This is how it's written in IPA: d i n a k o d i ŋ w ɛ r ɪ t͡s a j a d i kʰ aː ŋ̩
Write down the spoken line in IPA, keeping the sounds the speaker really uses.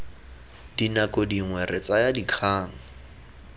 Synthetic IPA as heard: d i n a k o d i ŋ w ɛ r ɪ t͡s a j a d i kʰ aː ŋ̩